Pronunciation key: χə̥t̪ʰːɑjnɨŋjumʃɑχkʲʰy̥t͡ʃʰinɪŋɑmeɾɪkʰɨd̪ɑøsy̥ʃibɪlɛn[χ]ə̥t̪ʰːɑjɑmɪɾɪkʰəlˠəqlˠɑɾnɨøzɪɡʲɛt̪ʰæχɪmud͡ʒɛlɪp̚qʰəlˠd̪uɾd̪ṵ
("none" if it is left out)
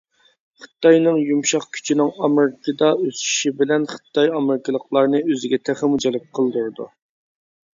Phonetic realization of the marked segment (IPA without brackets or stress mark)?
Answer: χ